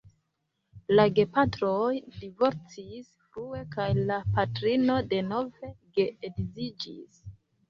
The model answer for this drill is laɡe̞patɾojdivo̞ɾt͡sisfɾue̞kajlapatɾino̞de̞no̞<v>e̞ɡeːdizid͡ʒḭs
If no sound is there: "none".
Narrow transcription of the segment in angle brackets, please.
v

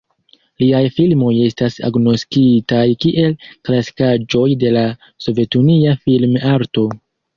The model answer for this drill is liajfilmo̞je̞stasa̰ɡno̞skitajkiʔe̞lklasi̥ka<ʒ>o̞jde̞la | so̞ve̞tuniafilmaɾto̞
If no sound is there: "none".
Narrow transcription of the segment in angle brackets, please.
d͡ʒ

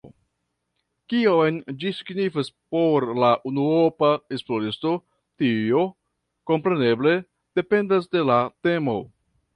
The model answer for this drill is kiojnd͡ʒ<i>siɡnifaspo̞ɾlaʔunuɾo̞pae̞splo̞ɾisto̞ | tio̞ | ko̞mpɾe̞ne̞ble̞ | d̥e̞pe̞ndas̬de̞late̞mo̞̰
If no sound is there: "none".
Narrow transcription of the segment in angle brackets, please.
i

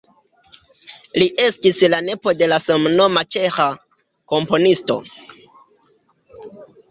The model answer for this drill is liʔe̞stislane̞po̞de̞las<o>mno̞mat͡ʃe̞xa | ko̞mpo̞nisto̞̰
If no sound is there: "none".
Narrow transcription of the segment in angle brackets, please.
o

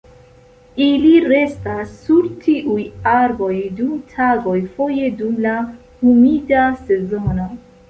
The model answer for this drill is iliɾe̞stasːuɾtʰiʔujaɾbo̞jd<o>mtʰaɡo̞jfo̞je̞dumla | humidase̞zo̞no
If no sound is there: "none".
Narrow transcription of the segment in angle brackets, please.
u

